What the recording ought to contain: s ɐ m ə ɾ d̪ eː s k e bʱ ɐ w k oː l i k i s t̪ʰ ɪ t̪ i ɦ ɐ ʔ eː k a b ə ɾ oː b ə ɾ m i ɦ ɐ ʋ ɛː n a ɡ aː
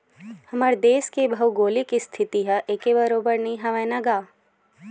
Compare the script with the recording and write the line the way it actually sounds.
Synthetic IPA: h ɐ m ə ɾ d̪ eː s k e bʱ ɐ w ɡ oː l i k i s t̪ʰ ɪ t̪ i ɦ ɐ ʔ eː k e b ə ɾ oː b ə ɾ n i ɦ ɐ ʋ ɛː n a ɡ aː